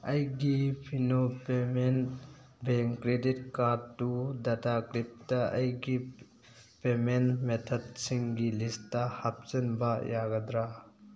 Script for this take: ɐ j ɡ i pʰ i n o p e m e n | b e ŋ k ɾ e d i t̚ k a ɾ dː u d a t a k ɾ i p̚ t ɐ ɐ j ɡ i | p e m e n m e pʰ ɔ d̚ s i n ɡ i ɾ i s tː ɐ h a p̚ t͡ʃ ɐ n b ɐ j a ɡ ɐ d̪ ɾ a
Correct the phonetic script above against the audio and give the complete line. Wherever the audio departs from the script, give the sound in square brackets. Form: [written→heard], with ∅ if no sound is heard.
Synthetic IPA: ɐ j ɡ i pʰ i n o p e m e n | b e ŋ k ɾ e d i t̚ k a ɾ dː u d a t a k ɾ i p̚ t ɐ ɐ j ɡ i | p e m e n m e [pʰ→tʰ] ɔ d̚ s i [n→ŋ] ɡ i [ɾ→l] i s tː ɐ h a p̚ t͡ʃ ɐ n b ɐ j a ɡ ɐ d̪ ɾ a